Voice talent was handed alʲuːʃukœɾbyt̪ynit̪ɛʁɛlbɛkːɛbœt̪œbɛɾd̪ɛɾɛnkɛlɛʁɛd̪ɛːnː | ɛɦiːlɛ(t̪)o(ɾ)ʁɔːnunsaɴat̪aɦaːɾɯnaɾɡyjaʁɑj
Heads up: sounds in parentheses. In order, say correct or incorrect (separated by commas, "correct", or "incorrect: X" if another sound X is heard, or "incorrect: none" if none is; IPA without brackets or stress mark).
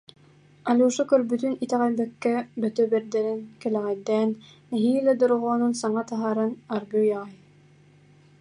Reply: incorrect: d̪, correct